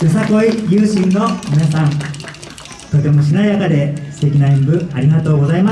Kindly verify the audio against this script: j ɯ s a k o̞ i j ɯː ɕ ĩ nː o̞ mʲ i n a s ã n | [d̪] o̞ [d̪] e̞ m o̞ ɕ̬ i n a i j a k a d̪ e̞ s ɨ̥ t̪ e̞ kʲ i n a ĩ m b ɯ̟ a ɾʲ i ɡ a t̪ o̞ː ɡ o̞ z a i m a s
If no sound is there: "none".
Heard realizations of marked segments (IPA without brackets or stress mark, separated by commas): t̪, t̪